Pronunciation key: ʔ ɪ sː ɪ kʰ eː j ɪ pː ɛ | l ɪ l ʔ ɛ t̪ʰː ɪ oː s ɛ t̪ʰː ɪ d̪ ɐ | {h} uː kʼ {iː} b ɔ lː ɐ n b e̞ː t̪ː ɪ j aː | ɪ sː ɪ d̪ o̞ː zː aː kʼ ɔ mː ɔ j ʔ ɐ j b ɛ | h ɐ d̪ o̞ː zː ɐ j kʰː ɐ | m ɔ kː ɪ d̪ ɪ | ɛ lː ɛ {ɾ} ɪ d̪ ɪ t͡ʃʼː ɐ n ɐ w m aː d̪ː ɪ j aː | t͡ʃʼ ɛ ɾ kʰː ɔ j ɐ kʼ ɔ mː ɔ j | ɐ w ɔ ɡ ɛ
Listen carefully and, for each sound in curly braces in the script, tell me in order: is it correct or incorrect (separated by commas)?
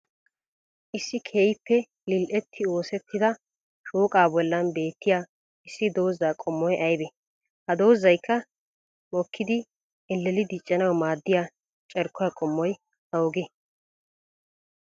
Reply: incorrect, incorrect, incorrect